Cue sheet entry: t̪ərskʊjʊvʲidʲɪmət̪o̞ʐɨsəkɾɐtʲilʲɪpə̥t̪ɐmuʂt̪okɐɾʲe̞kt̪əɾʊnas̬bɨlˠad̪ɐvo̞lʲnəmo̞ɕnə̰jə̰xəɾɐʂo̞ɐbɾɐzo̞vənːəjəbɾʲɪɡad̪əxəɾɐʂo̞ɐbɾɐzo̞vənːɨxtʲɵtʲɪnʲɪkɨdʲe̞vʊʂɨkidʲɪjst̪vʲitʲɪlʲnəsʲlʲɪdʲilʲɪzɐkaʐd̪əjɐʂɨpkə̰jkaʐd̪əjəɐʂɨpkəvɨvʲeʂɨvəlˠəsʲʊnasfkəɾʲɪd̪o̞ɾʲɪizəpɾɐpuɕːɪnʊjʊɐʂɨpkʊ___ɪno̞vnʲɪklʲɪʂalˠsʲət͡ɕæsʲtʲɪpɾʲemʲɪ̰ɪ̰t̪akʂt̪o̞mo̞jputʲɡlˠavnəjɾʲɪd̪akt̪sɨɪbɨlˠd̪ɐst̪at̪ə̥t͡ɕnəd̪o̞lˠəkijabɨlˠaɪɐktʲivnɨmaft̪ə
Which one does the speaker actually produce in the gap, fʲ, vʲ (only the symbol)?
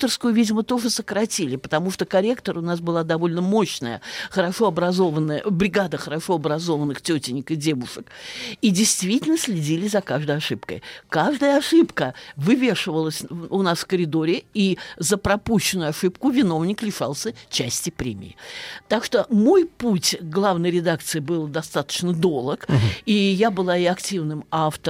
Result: vʲ